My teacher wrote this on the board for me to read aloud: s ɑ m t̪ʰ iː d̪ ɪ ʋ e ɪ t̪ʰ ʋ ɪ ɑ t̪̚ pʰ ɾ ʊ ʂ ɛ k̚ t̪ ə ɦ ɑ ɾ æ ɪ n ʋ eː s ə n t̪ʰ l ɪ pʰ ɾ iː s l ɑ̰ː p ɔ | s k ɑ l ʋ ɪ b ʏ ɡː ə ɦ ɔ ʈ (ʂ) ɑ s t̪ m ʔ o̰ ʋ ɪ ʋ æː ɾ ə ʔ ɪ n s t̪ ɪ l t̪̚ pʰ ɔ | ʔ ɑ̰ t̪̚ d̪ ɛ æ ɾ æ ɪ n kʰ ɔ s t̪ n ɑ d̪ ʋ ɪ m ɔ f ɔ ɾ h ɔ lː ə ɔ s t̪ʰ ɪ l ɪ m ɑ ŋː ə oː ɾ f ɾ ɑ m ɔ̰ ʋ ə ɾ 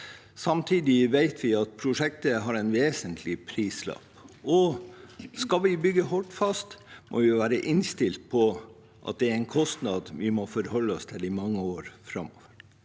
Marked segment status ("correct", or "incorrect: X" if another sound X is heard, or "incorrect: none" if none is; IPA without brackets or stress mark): incorrect: f